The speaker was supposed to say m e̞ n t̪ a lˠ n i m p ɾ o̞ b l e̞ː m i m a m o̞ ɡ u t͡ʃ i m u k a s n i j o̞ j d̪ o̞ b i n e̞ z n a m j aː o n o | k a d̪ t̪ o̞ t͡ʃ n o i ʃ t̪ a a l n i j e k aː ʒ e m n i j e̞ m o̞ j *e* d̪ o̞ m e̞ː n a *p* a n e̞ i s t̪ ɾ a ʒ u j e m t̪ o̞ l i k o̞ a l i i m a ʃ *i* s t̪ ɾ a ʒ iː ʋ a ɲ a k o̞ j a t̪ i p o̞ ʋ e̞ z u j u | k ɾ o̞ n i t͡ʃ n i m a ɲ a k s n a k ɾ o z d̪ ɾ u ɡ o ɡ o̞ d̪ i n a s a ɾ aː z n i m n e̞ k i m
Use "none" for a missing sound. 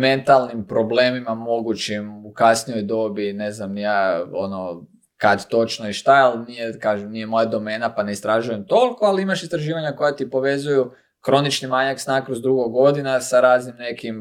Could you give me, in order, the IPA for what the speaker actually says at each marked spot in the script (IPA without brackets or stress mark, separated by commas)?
a, p, i